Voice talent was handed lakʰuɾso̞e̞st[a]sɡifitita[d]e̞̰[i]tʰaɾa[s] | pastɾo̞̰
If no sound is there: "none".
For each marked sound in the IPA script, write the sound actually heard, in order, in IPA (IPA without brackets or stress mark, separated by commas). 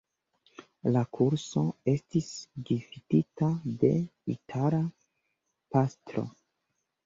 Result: i, d, i, none